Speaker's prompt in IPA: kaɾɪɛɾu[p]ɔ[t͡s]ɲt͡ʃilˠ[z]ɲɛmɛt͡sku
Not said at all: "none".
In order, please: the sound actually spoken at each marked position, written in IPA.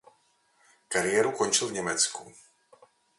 k, none, v

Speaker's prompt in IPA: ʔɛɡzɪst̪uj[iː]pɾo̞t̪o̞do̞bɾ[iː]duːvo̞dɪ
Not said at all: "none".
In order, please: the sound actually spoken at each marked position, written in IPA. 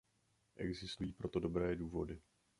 iː, ɛː

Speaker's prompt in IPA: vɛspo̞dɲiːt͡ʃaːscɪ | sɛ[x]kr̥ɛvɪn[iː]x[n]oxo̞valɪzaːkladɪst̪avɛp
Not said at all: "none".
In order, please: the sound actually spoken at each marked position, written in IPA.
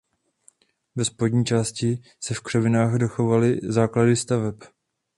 f, aː, d

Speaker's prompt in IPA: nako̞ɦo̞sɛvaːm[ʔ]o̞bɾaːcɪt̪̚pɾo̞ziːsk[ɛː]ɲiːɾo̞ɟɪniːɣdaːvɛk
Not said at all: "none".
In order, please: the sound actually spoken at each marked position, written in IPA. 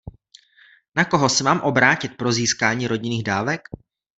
ʔ, aː

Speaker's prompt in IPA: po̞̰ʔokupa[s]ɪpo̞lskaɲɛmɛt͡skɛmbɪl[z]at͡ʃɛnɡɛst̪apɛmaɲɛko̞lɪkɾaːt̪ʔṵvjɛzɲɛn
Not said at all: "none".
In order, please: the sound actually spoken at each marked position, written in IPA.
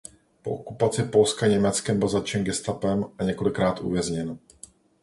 t͡s, z

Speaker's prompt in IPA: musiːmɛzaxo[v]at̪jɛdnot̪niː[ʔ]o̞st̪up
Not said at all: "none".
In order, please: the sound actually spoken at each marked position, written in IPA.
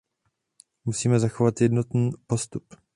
v, p

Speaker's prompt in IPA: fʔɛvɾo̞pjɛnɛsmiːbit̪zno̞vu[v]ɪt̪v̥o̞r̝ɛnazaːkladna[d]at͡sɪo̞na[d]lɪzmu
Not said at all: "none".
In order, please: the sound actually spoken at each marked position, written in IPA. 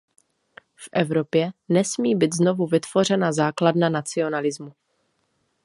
v, n, none

